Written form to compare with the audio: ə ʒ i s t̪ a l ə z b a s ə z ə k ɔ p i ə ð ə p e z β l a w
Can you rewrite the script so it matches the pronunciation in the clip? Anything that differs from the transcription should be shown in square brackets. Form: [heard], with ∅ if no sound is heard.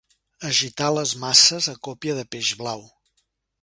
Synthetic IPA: ə ʒ i [∅] t̪ a l ə z [m] a s ə z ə k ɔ p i ə ð ə p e [ʒ] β l a w